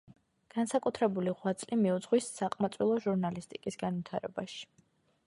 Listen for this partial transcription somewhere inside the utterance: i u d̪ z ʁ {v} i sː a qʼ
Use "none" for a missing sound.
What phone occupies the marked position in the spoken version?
w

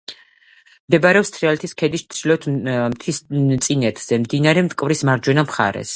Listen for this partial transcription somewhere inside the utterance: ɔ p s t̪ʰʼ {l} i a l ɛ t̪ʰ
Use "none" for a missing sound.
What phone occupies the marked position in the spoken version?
ɾ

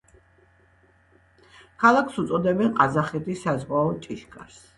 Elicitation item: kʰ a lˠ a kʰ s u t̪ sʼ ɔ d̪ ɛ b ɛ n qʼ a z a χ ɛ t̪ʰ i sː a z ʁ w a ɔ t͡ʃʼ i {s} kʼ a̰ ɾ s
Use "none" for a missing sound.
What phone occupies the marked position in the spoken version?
ʃ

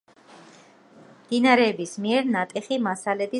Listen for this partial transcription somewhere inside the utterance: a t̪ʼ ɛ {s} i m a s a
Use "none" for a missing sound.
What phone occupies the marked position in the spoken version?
χ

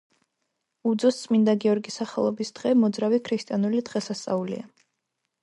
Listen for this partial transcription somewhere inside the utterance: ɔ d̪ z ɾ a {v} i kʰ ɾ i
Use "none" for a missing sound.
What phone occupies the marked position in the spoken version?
v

